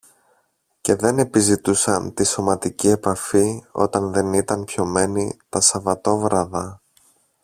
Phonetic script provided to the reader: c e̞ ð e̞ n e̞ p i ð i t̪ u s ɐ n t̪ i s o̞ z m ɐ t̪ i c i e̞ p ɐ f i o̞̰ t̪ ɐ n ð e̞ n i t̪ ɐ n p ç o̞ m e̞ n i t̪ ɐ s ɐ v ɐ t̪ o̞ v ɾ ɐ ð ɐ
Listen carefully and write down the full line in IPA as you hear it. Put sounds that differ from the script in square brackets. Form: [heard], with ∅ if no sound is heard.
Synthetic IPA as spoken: c e̞ ð e̞ n e̞ p i [z] i t̪ u s ɐ n t̪ i s o̞ [∅] m ɐ t̪ i c i e̞ p ɐ f i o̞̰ t̪ ɐ n ð e̞ n i t̪ ɐ n p ç o̞ m e̞ n i t̪ ɐ s ɐ v ɐ t̪ o̞ v ɾ ɐ ð ɐ